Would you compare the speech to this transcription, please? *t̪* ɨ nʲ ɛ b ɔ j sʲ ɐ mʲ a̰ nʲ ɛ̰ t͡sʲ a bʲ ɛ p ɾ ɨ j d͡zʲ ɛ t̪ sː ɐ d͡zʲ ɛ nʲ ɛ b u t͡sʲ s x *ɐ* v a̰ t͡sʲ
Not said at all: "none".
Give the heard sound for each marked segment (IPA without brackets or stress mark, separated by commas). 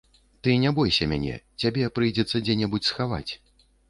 t̪, a